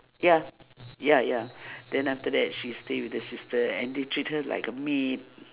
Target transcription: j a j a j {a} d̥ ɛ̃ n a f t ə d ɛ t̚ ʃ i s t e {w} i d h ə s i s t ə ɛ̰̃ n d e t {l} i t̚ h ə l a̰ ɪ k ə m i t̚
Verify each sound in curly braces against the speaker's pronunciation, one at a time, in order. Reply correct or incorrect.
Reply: correct, correct, incorrect: ɹ

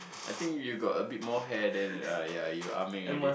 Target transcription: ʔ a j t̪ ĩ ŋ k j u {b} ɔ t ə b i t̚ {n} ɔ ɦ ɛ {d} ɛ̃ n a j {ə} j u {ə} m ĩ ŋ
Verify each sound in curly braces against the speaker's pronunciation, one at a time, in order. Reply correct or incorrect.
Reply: incorrect: ɡ, incorrect: m, correct, incorrect: a, incorrect: a

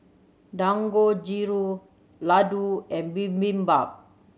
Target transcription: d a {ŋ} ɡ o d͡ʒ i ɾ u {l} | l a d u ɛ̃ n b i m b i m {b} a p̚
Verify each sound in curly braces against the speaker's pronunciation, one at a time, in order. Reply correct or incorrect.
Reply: correct, incorrect: none, correct

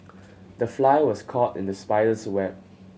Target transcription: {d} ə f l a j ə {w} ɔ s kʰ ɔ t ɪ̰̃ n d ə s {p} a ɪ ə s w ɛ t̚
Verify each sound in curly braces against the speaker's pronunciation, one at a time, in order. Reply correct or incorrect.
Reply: correct, correct, correct

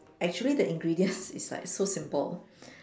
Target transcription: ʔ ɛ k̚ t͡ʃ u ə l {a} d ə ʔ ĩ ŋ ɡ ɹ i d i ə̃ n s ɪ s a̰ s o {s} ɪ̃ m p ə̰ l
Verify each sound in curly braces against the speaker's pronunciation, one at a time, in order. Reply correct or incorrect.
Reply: incorrect: i, correct

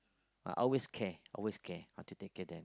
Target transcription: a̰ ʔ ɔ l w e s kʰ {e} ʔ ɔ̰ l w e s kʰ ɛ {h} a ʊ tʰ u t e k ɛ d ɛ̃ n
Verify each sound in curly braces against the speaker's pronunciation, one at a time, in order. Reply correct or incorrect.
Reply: incorrect: ɛ, correct

